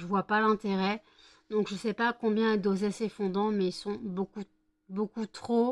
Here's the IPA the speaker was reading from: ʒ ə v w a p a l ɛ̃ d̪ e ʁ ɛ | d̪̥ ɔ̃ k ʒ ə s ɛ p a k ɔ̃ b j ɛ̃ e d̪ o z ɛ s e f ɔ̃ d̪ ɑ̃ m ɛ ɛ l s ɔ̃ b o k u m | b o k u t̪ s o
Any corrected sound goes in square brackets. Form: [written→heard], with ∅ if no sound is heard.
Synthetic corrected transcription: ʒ ə v w a p a l ɛ̃ [d̪→t̪] e ʁ ɛ | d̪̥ ɔ̃ k ʒ ə s ɛ p a k ɔ̃ b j ɛ̃ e d̪ o z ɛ s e f ɔ̃ d̪ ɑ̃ m ɛ [ɛ→i] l s ɔ̃ b o k u [m→∅] | b o k u t̪ [s→χ] o